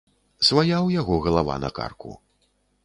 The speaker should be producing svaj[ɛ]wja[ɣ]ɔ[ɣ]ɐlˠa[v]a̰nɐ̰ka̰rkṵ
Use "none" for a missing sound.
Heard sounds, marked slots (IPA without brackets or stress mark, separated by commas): a, ɣ, ɣ, v